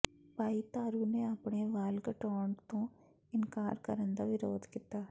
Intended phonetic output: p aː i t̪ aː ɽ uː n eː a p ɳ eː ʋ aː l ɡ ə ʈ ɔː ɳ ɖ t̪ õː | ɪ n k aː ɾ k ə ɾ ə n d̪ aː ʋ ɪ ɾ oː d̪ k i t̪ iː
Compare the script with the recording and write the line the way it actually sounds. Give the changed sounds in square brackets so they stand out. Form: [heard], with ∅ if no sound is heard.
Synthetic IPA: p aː i t̪ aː [ɾ] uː n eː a p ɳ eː ʋ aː l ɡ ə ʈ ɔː ɳ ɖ t̪ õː | ɪ n k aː ɾ k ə ɾ ə n d̪ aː ʋ ɪ ɾ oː d̪ k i t̪ [aː]